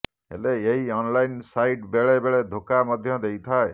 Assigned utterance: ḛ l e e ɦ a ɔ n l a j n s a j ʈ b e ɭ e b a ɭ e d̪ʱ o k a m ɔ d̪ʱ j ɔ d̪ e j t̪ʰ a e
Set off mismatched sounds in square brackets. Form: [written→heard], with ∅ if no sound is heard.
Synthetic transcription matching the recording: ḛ l e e ɦ [a→i] ɔ n l a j n s a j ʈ b e ɭ e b [a→e] ɭ e d̪ʱ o k a m ɔ d̪ʱ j ɔ d̪ e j t̪ʰ a e